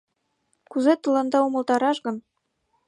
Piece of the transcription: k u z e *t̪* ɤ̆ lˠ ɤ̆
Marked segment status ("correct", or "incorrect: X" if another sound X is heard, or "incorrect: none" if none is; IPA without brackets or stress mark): correct